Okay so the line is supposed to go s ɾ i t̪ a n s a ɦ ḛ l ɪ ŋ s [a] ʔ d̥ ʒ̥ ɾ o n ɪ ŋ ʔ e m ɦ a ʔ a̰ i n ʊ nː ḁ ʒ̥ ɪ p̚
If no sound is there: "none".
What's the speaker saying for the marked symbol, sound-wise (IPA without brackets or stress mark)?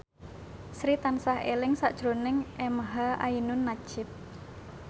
a